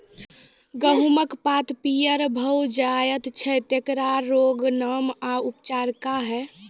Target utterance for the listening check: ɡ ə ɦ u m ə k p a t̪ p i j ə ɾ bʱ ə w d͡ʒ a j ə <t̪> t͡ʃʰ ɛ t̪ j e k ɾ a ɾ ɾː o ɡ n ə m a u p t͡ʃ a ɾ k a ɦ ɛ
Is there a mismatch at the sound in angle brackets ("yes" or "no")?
no